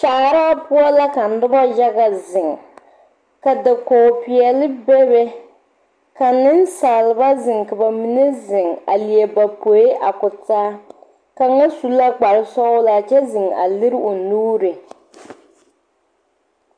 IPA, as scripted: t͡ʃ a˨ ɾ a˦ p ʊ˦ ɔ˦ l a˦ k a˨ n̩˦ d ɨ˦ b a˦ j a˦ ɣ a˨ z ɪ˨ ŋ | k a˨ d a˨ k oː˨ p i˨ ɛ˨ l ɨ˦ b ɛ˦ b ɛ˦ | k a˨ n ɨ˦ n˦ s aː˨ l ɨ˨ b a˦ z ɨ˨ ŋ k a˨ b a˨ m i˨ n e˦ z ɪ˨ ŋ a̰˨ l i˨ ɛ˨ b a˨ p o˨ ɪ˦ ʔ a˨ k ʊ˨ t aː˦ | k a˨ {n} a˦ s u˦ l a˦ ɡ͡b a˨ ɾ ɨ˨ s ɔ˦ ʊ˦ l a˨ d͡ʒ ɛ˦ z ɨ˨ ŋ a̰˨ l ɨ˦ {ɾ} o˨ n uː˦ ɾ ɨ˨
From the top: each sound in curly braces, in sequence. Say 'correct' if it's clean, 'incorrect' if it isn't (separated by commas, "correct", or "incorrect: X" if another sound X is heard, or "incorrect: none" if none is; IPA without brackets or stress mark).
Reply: incorrect: ŋ, correct